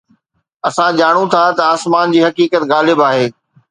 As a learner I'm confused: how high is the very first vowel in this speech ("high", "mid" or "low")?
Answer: low